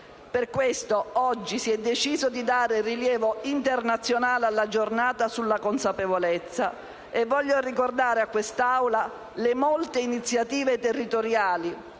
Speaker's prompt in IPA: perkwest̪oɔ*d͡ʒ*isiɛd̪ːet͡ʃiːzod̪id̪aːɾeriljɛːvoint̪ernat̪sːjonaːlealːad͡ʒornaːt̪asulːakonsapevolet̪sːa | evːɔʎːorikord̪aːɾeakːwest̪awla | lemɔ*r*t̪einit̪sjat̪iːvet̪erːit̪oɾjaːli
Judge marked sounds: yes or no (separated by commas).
no, no